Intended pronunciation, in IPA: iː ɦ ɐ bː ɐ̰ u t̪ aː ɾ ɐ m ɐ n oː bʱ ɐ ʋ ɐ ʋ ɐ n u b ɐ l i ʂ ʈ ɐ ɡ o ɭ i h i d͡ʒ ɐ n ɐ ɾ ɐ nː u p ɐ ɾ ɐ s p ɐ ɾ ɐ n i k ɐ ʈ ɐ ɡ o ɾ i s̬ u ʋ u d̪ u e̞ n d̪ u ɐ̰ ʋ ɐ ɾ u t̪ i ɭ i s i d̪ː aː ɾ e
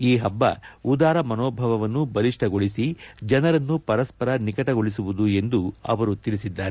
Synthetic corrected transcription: iː ɦ ɐ bː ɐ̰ u d̪ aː ɾ ɐ m ɐ n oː bʱ ɐ ʋ ɐ ʋ ɐ nː u b ɐ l i ʂ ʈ ɐ ɡ o ɭ i s i d͡ʒ ɐ n ɐ ɾ ɐ nː u p ɐ ɾ ɐ s p ɐ ɾ ɐ n i k ɐ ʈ ɐ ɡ o ɭ i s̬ u ʋ u d̪ u e̞ n d̪ u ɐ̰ ʋ ɐ ɾ u t̪ i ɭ i s i d̪ː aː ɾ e